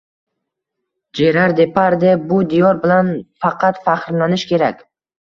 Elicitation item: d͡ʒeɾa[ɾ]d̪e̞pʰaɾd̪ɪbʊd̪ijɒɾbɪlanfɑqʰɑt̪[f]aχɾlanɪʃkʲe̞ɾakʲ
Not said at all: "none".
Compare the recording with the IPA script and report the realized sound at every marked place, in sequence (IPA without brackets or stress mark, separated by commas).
ɾ, f